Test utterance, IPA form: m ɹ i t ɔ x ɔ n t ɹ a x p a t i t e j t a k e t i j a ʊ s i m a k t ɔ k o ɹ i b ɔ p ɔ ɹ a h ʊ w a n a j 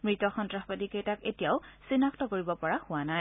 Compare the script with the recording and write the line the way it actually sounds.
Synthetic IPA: m ɹ i t ɔ x ɔ n t ɹ a x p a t i k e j t a k e t i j a ʊ s i n a k t ɔ k o ɹ i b ɔ p ɔ ɹ a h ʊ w a n a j

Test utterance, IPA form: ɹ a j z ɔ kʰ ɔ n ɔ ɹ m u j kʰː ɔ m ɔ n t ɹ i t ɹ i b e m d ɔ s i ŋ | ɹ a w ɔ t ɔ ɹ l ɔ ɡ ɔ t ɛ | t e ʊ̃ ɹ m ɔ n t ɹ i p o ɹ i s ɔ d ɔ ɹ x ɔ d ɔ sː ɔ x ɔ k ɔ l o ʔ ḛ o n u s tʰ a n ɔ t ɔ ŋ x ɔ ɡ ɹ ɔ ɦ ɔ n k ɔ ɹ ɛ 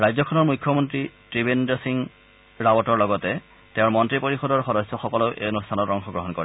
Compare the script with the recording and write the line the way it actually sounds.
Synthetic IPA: ɹ a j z ɔ kʰ ɔ n ɔ ɹ m u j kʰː ɔ m ɔ n t ɹ i t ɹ i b e n d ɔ s i ŋ | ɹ a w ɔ t ɔ ɹ l ɔ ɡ ɔ t ɛ | t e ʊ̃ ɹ m ɔ n t ɹ i p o ɹ i x ɔ d ɔ ɹ x ɔ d ɔ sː ɔ x ɔ k ɔ l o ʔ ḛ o n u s tʰ a n ɔ t ɔ ŋ x ɔ ɡ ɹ ɔ ɦ ɔ n k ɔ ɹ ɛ

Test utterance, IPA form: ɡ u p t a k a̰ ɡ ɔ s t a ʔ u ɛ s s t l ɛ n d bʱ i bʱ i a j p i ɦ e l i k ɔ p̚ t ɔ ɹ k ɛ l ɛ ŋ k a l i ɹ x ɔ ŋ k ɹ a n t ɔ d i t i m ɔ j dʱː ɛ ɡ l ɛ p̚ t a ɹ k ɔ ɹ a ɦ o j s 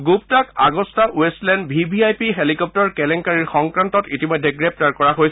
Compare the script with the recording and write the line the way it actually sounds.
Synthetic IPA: ɡ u p t a k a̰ ɡ ɔ s t a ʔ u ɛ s s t l ɛ n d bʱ i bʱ i a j p i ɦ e l i k ɔ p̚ t ɔ ɹ k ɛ l ɛ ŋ k a ɹ i ɹ x ɔ ŋ k ɹ a n t ɔ t i t i m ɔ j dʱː ɛ ɡ ɹ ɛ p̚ t a ɹ k ɔ ɹ a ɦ o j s

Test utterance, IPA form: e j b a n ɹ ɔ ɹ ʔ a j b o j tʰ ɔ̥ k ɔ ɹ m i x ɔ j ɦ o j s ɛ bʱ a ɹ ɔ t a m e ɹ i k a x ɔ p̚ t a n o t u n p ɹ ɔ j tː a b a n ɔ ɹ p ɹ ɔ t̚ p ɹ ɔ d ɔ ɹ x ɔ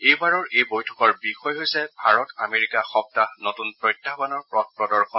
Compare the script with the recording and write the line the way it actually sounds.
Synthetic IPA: e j b a ɹ ɔ ɹ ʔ e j b o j tʰ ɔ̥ k ɔ ɹ b i x ɔ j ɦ o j s ɛ bʱ a ɹ ɔ t a m e ɹ i k a x ɔ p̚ t a n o t u n p ɹ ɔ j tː a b a n ɔ ɹ p ɹ ɔ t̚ p ɹ ɔ d ɔ ɹ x ɔ

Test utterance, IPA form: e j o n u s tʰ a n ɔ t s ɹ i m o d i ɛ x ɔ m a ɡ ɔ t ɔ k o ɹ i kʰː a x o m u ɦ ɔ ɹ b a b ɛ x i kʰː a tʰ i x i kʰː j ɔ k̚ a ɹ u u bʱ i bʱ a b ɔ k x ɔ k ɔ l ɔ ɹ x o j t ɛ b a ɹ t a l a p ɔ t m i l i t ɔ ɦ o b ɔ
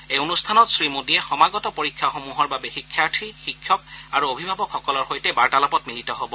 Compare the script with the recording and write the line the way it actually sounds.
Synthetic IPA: e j o n u s tʰ a n ɔ t s ɹ i m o d i ɛ x ɔ m a ɡ ɔ t ɔ p o ɹ i kʰː a x o m u ɦ ɔ ɹ b a b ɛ x i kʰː a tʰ i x i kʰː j ɔ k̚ a ɹ u o bʱ i bʱ a b ɔ k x ɔ k ɔ l ɔ ɹ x o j t ɛ b a ɹ t a l a p ɔ t m i l i t ɔ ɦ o b ɔ

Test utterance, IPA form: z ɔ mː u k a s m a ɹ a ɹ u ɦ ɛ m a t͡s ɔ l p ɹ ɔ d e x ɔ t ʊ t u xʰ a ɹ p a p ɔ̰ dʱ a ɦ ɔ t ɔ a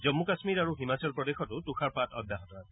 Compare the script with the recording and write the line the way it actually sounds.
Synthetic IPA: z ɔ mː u k a s m i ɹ a ɹ u ɦ i m a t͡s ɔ l p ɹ ɔ d e x ɔ t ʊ t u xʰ a ɹ p a t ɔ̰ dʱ a ɦ ɔ t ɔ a

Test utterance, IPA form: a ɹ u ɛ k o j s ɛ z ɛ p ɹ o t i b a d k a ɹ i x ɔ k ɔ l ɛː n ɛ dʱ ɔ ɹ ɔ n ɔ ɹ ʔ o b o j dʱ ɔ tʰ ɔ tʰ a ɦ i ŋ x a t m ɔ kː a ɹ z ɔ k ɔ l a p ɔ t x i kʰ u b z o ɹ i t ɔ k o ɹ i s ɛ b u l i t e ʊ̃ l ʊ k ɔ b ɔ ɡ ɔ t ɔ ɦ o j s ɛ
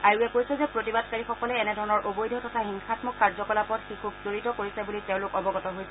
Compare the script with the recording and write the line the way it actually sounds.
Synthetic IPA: a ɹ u ɛ k o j s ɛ z ɛ p ɹ o t i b a d k a ɹ i x ɔ k ɔ l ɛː n ɛ dʱ ɔ ɹ ɔ n ɔ ɹ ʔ o b o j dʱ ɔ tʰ ɔ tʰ a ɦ i ŋ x a t m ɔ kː a ɹ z ɔ k ɔ l a p ɔ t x i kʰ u b z o ɹ i t ɔ k o ɹ i s ɛ b u l i t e ʊ̃ l ʊ k ɔ b ɔ ɡ ɔ t ɔ ɦ o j s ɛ

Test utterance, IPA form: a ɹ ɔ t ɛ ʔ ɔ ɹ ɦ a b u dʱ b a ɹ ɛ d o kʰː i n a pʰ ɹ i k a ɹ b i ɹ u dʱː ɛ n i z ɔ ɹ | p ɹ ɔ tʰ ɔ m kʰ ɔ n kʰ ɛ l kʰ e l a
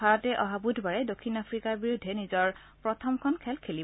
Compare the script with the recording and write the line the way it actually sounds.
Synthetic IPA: a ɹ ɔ t ɛ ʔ ɔ ɦ a b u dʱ b a ɹ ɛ d o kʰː i n a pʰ ɹ i k a ɹ b i ɹ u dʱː ɛ n i z ɔ ɹ | p ɹ ɔ tʰ ɔ m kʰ ɔ n kʰ ɛ l kʰ e l i

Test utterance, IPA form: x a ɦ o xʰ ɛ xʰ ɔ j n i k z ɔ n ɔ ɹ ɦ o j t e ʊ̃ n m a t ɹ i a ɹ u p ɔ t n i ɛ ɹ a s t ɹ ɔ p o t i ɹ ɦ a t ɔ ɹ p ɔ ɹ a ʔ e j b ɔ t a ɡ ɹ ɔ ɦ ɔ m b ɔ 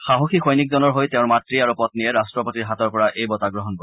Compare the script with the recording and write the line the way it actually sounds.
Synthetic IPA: x a ɦ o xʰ i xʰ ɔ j n i k z ɔ n ɔ ɹ ɦ o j t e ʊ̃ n m a t ɹ i a ɹ u p ɔ t n i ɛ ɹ a s t ɹ ɔ p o t i ɹ ɦ a t ɔ ɹ p ɔ ɹ a ʔ e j b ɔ t a ɡ ɹ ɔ ɦ ɔ n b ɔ

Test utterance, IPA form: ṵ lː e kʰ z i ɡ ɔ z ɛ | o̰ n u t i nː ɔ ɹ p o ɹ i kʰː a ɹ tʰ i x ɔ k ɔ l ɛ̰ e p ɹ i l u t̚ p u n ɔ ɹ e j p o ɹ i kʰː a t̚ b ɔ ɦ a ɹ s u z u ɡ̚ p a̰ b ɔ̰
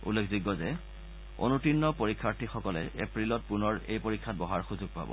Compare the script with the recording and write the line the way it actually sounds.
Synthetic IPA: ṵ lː e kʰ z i ɡ ɔ z ɛ | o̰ n u t i nː ɔ p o ɹ i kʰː a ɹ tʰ i x ɔ k ɔ l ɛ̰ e p ɹ i l ɔ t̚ p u n ɔ ɹ e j p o ɹ i kʰː a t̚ b ɔ ɦ a ɹ x u z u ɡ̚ p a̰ b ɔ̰

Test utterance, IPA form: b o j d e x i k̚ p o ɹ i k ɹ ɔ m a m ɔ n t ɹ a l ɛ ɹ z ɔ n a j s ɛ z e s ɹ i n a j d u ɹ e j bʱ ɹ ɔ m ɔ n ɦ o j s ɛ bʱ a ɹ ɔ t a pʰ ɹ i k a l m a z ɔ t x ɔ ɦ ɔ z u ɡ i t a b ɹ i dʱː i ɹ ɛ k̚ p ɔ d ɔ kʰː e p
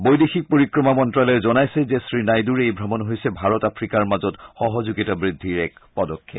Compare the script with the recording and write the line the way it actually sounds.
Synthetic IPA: b o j d e x i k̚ p o ɹ i k ɹ ɔ m a m ɔ n t ɹ a l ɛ ɹ z ɔ n a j s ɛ z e s ɹ i n a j d u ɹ e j bʱ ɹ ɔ m ɔ n ɦ o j s ɛ bʱ a ɹ ɔ t a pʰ ɹ i k a ɹ m a z ɔ t x ɔ ɦ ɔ z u ɡ i t a b ɹ i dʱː i ɹ ɛ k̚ p ɔ d ɔ kʰː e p

